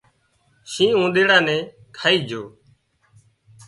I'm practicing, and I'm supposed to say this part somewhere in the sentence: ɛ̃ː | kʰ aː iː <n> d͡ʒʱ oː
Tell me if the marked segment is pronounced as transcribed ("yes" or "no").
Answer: no